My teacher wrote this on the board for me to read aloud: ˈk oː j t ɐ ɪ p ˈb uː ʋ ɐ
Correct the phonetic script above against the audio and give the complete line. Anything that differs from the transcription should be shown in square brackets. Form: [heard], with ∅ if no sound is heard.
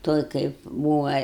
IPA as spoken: [ˈt] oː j [k] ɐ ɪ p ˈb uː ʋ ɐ